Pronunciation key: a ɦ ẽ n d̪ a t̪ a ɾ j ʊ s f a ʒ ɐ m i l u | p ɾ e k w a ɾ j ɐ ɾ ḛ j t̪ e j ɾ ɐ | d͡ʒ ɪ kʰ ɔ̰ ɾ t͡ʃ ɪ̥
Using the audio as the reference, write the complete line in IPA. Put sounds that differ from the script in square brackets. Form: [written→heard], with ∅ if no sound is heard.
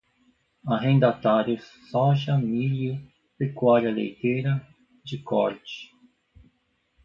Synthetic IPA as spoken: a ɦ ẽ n d̪ a t̪ a ɾ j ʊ s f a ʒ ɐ m i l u | p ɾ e k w a ɾ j ɐ [ɾ→l] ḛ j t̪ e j ɾ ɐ | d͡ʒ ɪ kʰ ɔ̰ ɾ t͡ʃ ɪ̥